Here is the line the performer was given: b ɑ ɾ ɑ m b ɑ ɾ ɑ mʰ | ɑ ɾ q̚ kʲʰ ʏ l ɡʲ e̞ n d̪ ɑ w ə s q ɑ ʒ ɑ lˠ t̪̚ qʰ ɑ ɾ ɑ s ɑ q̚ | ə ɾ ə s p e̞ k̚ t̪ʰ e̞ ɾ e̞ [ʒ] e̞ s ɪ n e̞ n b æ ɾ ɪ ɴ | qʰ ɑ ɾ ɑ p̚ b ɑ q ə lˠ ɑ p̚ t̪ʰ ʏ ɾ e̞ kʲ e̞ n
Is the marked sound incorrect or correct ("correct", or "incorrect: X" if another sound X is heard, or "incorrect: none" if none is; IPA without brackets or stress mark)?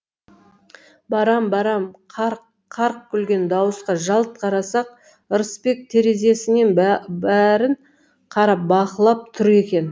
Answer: incorrect: z